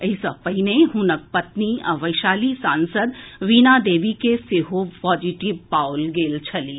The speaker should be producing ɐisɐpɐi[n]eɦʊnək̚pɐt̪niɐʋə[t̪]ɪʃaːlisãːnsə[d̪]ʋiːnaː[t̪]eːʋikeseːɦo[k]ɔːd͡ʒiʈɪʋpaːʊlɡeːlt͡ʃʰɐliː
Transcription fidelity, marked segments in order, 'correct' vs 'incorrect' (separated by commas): correct, incorrect, correct, incorrect, incorrect